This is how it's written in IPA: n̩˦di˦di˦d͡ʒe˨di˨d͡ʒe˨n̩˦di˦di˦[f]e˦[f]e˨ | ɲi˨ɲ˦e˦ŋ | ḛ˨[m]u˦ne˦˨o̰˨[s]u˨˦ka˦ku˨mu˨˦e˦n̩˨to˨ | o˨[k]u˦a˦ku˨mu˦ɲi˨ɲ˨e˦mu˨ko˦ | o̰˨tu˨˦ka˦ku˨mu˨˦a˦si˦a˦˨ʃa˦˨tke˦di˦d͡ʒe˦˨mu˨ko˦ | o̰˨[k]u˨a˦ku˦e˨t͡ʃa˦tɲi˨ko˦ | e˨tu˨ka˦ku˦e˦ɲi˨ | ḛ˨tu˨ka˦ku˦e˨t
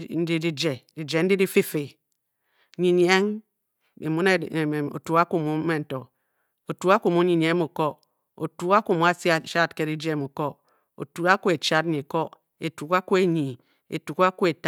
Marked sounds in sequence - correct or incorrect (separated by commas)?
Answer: correct, correct, correct, incorrect, incorrect, incorrect